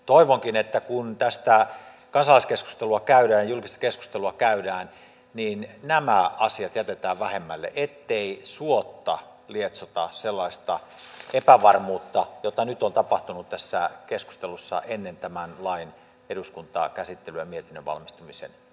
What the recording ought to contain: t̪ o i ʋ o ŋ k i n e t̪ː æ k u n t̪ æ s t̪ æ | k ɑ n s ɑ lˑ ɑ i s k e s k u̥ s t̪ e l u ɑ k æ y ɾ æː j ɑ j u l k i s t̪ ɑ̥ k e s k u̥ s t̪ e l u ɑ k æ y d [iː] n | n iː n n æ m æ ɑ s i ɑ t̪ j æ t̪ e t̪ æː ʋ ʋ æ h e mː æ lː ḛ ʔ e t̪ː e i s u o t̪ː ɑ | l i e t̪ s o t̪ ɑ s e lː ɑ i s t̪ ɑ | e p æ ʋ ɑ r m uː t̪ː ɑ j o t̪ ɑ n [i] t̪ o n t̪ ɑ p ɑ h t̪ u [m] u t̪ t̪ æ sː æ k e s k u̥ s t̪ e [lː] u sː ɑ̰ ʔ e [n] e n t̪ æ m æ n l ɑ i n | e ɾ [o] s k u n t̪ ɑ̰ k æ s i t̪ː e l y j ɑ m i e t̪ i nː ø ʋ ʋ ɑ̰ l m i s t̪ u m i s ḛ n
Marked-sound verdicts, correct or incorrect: incorrect, incorrect, incorrect, incorrect, incorrect, incorrect

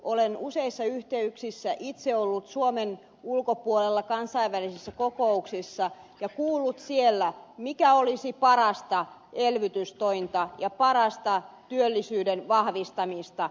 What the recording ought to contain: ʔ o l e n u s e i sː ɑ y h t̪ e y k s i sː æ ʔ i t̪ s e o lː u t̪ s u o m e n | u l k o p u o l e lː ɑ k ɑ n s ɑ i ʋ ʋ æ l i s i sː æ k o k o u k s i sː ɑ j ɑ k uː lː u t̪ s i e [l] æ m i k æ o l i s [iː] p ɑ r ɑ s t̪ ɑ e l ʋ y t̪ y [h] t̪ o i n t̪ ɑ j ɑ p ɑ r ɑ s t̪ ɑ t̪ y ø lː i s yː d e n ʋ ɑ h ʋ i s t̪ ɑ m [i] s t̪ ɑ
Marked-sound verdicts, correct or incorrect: incorrect, incorrect, incorrect, correct

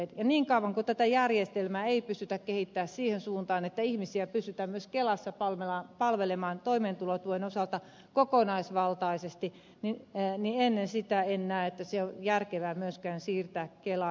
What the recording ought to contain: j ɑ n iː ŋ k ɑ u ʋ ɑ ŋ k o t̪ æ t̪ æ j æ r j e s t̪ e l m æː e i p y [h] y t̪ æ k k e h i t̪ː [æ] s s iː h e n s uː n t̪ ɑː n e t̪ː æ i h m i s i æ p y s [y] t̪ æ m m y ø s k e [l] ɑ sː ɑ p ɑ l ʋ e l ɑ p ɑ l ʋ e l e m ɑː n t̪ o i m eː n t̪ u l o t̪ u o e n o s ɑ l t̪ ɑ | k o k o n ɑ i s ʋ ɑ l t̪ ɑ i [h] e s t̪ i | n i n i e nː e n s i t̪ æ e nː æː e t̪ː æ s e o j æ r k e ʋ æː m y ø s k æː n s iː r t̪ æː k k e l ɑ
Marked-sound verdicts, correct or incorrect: incorrect, incorrect, correct, correct, incorrect

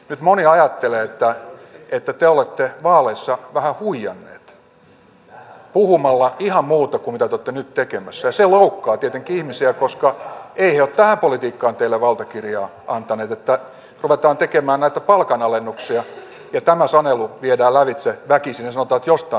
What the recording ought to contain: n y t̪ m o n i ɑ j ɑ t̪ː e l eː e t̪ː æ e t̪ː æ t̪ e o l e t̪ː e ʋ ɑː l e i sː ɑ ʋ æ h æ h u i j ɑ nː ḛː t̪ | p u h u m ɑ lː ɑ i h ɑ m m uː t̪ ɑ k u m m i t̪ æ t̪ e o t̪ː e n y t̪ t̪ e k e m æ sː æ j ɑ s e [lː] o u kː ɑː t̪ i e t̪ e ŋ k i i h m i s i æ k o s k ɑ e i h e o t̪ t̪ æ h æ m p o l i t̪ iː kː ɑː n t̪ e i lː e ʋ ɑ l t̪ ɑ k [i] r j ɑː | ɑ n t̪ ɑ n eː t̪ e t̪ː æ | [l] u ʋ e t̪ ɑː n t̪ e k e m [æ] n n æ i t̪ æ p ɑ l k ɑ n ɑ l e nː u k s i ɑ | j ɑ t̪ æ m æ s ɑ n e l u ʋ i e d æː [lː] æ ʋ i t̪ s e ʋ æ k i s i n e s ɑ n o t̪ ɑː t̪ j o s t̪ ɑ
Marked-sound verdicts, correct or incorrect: incorrect, correct, incorrect, incorrect, incorrect

